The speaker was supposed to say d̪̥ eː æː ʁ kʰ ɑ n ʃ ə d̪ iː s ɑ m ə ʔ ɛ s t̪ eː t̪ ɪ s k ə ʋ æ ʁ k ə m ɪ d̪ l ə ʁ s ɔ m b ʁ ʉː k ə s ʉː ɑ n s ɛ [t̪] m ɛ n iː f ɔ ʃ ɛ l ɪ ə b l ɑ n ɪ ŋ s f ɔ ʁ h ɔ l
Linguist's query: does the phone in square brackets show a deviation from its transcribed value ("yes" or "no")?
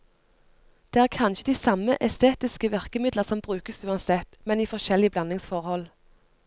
no